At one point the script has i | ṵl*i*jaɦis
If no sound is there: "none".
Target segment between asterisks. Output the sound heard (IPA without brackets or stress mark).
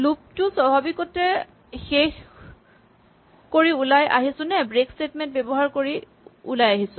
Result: a